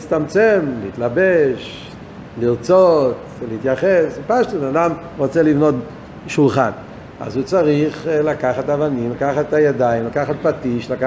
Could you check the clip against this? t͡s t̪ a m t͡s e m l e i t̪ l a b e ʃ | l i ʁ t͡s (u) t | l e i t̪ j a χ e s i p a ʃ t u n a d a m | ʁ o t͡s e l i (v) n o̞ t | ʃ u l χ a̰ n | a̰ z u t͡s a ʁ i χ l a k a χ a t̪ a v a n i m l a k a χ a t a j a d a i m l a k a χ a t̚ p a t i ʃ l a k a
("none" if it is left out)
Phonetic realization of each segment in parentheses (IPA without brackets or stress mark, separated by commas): o, v